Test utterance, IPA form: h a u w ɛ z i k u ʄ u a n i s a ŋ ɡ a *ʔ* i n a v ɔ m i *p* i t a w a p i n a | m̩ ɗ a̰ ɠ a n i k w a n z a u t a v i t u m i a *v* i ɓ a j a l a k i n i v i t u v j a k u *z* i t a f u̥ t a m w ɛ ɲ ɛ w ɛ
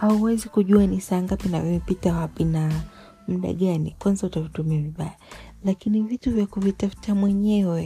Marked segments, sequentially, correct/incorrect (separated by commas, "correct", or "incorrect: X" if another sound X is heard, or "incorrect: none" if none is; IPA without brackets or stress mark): incorrect: p, correct, correct, incorrect: v